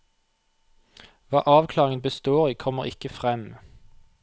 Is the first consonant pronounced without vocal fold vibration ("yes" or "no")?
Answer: no